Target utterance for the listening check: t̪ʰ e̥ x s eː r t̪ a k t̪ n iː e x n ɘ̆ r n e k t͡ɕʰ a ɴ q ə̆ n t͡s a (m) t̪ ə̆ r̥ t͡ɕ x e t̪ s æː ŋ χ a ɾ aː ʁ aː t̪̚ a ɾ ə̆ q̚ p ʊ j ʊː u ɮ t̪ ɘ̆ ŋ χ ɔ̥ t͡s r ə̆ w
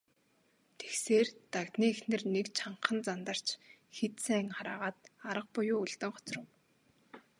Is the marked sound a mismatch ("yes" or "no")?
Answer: yes